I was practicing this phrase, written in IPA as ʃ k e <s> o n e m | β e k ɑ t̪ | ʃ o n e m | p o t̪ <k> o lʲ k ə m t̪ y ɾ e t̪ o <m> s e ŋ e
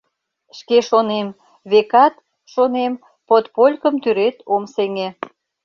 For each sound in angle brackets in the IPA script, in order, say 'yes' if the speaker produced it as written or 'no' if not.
no, no, yes

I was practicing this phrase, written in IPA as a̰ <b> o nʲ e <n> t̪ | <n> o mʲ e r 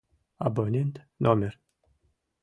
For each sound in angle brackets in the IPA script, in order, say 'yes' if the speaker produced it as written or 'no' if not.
yes, yes, yes

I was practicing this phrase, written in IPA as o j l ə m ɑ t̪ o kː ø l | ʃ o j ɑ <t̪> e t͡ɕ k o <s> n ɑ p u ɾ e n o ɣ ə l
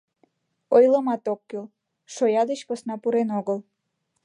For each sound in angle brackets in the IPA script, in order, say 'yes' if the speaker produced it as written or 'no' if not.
no, yes

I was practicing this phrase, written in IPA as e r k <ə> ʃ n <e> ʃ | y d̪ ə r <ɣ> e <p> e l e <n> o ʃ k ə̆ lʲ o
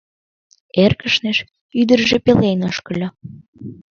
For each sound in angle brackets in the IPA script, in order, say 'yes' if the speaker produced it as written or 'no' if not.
yes, yes, no, yes, yes

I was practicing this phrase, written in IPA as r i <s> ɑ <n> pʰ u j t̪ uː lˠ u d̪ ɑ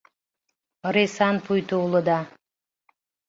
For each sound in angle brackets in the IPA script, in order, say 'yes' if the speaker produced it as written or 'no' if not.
yes, yes

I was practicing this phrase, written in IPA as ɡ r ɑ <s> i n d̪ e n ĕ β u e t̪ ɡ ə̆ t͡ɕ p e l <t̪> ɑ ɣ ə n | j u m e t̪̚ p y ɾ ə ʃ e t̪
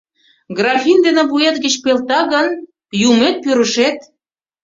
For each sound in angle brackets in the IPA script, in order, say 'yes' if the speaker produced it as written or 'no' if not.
no, yes

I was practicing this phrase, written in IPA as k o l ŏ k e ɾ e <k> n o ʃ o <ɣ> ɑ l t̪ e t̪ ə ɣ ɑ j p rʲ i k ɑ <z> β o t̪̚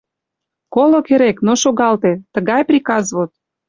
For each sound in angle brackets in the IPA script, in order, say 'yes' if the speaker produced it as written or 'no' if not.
yes, yes, yes

